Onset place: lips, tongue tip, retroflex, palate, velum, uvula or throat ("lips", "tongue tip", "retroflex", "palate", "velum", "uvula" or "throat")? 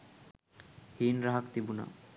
throat